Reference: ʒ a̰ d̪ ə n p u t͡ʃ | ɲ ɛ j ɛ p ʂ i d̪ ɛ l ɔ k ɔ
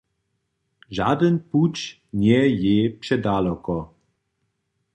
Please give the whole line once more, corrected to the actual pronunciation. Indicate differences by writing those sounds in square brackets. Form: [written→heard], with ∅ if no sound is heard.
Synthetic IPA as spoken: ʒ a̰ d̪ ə n p u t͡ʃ | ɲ ɛ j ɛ p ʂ [i→ɛ] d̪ [ɛ→a] l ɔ k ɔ